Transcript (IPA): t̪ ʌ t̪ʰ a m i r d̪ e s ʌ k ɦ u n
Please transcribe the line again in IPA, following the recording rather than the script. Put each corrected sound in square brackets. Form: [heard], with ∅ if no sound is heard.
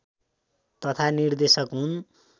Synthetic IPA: t̪ ʌ t̪ʰ a [n] i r d̪ e s ʌ k ɦ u n